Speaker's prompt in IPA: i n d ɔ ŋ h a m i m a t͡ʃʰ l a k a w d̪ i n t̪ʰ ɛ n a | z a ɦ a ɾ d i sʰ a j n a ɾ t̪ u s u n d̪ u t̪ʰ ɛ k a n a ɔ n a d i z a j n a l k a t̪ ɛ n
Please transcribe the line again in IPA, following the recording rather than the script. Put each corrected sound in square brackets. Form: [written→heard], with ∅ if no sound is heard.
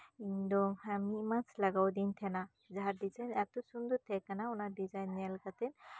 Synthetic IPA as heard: i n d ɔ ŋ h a m i m a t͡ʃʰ l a [k→ɡ] a w d̪ i n t̪ʰ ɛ n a | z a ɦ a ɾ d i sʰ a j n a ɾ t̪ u s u n d̪ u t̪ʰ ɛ k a n a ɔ n a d i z a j n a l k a t̪ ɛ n